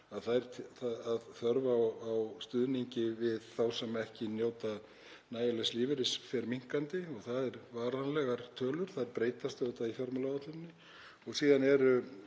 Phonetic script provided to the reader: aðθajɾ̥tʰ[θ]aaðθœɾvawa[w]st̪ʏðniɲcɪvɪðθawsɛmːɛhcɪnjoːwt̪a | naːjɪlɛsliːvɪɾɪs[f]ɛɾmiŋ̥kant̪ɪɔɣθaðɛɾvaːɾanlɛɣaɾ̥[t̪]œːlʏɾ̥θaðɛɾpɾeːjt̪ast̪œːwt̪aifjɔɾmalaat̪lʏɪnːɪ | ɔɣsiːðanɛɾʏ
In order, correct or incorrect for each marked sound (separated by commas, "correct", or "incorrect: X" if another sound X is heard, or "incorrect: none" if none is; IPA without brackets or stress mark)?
correct, correct, correct, incorrect: t̪ʰ